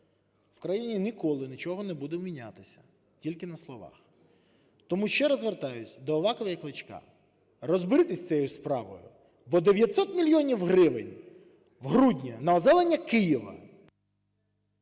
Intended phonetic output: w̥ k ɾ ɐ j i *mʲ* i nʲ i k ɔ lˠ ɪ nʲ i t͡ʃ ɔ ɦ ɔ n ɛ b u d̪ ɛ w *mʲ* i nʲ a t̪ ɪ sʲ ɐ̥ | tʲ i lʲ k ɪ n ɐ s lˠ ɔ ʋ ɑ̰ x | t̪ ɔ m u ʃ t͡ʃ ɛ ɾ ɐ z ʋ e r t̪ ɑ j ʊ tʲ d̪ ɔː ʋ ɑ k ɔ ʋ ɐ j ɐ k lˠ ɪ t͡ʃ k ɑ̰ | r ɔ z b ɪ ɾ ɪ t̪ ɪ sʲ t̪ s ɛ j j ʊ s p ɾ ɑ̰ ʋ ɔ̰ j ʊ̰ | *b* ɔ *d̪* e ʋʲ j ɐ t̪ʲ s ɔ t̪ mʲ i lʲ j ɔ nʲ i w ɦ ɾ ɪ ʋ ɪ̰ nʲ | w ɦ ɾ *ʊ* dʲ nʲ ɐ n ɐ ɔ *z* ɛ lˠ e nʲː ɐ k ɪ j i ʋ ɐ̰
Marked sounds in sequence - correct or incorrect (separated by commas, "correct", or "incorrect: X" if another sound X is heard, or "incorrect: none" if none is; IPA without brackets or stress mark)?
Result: incorrect: nʲ, correct, correct, correct, incorrect: u, correct